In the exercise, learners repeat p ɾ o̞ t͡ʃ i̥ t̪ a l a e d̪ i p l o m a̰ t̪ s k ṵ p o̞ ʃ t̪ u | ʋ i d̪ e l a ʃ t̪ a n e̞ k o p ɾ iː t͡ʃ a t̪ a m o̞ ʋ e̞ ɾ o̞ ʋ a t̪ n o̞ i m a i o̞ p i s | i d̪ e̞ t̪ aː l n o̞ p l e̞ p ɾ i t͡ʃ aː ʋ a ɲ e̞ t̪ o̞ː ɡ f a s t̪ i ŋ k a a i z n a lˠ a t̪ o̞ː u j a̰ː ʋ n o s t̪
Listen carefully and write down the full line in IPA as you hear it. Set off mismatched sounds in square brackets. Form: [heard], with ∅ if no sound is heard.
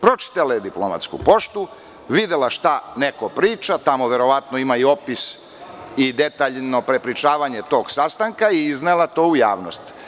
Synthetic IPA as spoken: p ɾ o̞ t͡ʃ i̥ t̪ a l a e d̪ i p l o m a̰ t̪ s k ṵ p o̞ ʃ t̪ u | ʋ i d̪ e l a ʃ t̪ a n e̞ k o p ɾ iː t͡ʃ a t̪ a m o̞ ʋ e̞ ɾ o̞ ʋ a t̪ n o̞ i m a i o̞ p i s | i d̪ e̞ t̪ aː [ʎ] n o̞ p [ɾ] e̞ p ɾ i t͡ʃ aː ʋ a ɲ e̞ t̪ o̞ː ɡ [s] a s t̪ [a] ŋ k a [i] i z n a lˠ a t̪ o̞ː u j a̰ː ʋ n o s t̪